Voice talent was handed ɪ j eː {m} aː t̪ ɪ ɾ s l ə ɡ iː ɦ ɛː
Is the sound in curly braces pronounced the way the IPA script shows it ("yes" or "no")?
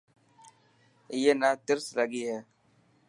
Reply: no